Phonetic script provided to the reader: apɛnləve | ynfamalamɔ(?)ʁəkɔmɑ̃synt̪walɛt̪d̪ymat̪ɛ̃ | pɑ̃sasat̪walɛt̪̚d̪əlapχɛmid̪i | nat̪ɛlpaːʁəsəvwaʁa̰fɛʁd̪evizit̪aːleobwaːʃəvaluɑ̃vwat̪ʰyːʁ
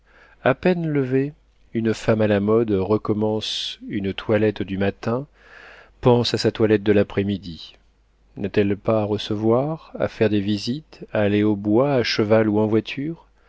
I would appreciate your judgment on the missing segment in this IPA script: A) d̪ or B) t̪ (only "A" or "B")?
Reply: A